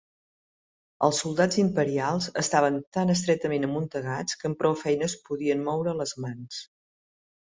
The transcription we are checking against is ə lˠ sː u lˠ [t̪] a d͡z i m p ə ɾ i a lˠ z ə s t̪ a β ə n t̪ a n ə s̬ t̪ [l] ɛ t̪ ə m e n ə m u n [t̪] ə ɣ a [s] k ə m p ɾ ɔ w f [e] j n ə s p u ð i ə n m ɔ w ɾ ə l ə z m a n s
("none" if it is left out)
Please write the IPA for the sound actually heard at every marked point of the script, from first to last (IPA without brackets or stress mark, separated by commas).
d̪, ɾ, t̪, t͡s, ɛ